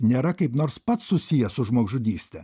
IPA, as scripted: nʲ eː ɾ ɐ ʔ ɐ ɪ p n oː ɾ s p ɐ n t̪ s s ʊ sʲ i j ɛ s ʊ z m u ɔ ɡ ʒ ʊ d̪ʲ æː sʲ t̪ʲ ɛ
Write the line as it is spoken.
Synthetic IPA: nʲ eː ɾ ɐ k ɐ ɪ p n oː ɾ s p ɐ t̪ s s ʊ sʲ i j ɛ s ʊ ʒ m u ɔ ɡ ʒ ʊ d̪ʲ iː sʲ t̪ʲ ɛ